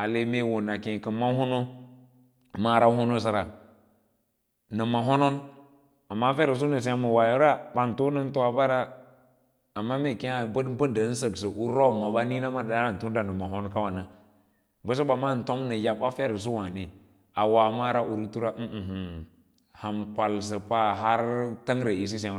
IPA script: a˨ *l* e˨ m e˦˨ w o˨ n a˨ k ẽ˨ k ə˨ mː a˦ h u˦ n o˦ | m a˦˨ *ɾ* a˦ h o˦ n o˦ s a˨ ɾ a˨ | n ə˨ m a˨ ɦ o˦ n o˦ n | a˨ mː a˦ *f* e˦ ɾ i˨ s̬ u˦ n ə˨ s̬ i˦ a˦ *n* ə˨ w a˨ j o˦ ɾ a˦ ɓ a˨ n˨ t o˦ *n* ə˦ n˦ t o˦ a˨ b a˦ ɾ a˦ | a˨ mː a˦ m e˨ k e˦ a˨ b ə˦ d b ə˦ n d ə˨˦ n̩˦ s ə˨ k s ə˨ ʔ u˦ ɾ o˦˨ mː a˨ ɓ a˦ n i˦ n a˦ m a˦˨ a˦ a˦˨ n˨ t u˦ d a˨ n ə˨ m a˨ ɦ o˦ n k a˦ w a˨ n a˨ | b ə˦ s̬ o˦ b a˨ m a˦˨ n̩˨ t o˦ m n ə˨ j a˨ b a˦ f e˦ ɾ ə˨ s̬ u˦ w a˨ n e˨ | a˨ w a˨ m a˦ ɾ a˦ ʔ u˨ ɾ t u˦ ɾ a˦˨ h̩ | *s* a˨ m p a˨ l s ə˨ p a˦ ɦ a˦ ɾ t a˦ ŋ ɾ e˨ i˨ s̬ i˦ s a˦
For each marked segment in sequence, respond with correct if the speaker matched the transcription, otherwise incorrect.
correct, correct, correct, incorrect, correct, incorrect

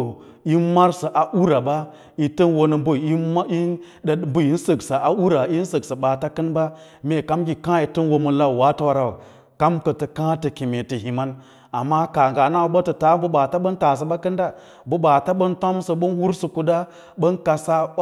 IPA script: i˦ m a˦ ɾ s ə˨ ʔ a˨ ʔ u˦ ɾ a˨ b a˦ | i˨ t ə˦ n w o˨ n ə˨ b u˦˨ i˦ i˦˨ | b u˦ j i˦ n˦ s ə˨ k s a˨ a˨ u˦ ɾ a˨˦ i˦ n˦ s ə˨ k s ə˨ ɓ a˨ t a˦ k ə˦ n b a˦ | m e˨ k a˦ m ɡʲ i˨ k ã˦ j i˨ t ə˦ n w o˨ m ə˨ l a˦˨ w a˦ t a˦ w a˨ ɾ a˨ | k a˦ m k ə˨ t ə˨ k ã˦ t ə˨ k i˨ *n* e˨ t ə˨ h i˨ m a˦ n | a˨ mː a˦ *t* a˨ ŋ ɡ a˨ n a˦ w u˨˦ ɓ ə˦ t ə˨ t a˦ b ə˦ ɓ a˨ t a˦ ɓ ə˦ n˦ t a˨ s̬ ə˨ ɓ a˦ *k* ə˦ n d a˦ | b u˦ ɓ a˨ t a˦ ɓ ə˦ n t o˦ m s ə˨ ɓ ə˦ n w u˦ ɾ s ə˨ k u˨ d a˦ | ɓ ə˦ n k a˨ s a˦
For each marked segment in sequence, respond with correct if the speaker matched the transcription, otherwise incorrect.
incorrect, incorrect, correct

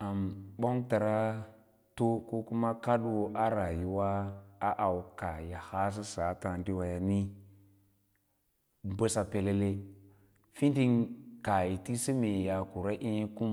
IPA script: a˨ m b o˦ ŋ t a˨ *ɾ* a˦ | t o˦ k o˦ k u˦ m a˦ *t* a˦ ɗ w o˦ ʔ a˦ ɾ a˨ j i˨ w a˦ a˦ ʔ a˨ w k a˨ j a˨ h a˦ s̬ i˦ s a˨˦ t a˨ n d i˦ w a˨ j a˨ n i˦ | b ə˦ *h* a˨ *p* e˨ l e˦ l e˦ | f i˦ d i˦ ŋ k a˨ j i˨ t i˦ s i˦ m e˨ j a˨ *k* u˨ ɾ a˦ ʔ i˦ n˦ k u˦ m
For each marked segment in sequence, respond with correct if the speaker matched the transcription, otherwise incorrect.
correct, incorrect, incorrect, correct, correct

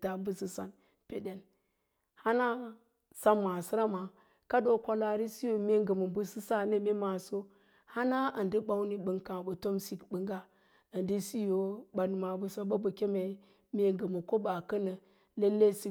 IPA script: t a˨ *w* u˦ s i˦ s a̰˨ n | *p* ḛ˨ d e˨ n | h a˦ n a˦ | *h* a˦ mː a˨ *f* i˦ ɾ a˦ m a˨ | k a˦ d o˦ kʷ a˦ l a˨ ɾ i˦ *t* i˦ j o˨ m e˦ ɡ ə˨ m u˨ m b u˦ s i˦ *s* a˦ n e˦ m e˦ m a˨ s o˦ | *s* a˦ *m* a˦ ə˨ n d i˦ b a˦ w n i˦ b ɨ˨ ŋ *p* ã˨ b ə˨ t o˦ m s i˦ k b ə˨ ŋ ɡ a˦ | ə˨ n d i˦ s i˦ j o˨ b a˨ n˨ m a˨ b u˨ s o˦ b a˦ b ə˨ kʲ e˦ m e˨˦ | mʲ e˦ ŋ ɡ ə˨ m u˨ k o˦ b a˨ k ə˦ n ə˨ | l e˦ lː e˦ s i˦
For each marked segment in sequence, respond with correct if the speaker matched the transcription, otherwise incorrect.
incorrect, correct, incorrect, incorrect, incorrect, correct, incorrect, incorrect, incorrect

